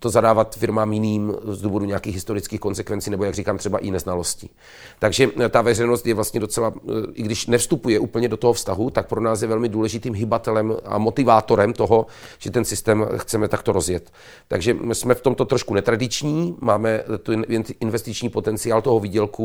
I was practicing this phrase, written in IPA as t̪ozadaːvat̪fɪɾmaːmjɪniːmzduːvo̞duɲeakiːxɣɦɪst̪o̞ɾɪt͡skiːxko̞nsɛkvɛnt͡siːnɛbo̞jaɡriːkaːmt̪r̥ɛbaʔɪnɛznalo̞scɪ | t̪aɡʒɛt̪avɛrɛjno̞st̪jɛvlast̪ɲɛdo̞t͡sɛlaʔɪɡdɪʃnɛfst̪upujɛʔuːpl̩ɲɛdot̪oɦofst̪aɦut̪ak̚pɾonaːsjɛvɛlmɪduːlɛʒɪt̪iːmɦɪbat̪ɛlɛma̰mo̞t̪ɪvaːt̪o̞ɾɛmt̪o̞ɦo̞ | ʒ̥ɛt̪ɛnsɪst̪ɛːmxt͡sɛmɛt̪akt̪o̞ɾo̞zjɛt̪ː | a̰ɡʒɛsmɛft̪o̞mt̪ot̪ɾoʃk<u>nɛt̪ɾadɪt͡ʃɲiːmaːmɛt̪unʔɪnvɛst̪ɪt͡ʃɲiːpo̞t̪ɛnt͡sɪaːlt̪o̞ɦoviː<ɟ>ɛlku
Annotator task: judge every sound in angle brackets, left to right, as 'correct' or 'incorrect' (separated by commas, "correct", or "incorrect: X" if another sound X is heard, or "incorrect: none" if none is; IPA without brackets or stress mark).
correct, correct